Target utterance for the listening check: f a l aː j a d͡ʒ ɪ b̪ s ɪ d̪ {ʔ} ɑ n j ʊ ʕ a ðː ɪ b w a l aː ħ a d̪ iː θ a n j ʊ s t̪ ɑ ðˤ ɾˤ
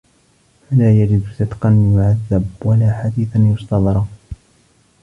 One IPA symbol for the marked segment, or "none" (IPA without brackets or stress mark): q